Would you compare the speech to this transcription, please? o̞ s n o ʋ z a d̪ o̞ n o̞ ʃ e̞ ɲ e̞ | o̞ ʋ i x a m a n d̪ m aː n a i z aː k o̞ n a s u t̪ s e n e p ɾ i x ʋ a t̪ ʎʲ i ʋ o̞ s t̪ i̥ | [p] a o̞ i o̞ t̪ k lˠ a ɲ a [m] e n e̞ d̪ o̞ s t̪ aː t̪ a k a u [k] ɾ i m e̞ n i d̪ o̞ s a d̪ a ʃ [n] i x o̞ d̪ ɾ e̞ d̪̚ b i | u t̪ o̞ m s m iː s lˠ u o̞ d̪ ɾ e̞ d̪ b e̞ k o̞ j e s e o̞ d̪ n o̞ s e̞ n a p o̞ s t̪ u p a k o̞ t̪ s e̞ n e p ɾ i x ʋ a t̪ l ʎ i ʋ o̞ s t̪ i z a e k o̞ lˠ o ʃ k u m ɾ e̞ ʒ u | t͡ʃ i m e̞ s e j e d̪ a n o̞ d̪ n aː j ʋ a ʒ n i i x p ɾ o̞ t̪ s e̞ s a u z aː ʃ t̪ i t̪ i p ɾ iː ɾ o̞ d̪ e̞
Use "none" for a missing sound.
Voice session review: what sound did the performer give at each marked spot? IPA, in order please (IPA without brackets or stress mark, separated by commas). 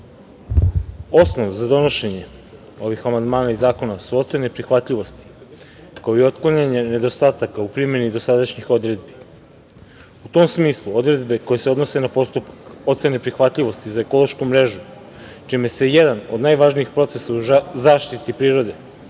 k, ɲ, p, ɲ